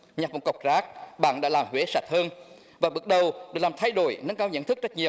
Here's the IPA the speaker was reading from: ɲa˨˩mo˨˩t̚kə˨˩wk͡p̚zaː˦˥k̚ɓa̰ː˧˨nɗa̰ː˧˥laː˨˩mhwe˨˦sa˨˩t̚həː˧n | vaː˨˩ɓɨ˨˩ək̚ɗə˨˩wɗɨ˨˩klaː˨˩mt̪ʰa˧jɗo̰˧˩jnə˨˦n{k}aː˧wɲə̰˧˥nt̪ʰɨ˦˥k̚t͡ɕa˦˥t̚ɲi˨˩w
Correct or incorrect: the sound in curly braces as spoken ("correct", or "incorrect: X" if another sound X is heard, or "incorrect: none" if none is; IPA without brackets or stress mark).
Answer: correct